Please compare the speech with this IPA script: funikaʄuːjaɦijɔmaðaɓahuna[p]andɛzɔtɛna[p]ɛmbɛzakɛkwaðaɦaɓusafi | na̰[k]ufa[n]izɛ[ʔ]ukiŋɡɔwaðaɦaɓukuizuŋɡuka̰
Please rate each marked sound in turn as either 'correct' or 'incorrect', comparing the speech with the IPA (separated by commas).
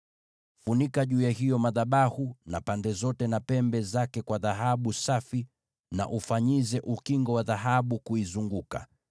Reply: correct, correct, incorrect, incorrect, correct